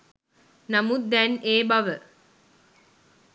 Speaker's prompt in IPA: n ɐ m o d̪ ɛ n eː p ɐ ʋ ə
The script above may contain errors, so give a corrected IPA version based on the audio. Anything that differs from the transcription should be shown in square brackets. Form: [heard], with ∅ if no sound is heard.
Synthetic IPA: n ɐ m [u] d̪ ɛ n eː [b] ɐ ʋ ə